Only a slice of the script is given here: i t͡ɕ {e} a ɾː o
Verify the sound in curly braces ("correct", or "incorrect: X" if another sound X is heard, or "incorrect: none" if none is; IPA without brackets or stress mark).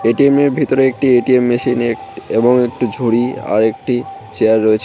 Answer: correct